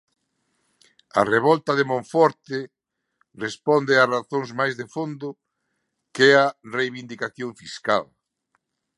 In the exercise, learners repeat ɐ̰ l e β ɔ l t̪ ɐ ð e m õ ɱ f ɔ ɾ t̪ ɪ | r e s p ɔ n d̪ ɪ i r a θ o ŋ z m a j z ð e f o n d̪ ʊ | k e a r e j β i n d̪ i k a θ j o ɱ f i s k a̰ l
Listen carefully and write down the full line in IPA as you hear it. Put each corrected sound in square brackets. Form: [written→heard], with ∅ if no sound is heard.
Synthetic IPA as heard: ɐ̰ [l→r] e β ɔ l t̪ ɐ ð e m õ ɱ f ɔ ɾ t̪ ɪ | r e s p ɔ n d̪ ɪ [i→a] r a θ o ŋ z m a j z ð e f o n d̪ ʊ | k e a r e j β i n d̪ i k a θ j o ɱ f i s k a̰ l

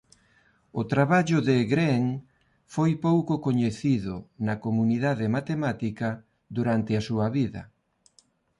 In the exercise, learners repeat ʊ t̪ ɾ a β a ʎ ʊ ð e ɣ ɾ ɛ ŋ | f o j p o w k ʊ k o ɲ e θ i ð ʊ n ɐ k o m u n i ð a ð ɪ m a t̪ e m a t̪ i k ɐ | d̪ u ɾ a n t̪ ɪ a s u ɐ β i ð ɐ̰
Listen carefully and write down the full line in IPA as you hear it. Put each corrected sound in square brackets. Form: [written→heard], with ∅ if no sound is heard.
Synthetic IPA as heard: ʊ t̪ ɾ a β a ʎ ʊ ð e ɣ ɾ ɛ ŋ | f o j p o w k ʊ k o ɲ e θ i ð ʊ n ɐ k o m u n i ð a ð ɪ m a t̪ e m a t̪ i k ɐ | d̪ u ɾ a n t̪ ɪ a s u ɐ β i ð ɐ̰

